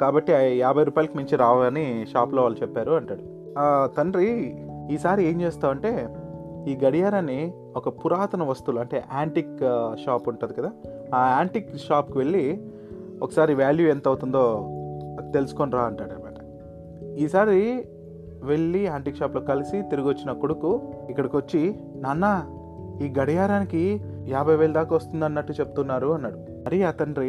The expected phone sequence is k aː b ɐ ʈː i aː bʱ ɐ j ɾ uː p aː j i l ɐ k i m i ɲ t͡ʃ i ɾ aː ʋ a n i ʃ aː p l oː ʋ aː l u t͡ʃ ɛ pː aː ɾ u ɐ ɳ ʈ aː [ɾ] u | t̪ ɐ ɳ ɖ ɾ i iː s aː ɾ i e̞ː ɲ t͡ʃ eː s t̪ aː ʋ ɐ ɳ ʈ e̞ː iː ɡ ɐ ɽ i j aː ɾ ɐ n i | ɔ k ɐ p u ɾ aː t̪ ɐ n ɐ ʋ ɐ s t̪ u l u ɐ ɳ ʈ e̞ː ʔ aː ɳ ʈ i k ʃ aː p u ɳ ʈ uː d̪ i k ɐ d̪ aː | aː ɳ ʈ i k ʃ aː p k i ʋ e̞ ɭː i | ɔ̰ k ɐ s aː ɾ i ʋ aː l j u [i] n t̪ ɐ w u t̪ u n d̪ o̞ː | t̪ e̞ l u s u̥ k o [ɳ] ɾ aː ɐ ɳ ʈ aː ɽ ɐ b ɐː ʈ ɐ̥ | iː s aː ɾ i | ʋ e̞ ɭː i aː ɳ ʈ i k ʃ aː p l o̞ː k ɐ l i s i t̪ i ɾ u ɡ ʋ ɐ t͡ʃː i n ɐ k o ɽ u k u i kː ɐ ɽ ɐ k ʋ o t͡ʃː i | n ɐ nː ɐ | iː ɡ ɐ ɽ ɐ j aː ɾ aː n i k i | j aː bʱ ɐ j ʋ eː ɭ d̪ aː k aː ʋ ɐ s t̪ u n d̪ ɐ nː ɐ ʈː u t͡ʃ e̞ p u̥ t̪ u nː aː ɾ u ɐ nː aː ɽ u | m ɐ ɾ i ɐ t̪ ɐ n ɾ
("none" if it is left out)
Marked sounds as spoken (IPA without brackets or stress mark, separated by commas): ɽ, e, n